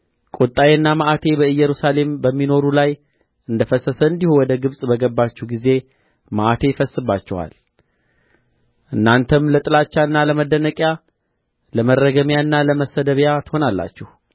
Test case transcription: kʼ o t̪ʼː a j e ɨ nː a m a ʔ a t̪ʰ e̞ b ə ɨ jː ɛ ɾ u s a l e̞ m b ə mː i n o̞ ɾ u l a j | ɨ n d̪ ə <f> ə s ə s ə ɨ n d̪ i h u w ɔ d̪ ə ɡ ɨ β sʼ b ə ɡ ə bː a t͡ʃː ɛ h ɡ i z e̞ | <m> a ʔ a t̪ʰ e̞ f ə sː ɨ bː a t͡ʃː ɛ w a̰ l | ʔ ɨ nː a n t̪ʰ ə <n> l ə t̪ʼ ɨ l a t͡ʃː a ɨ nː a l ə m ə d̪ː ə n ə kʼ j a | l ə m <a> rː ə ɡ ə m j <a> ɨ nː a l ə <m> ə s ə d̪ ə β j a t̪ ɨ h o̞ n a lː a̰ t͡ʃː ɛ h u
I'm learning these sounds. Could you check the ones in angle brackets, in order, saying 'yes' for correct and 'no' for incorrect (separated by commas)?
yes, yes, no, no, yes, yes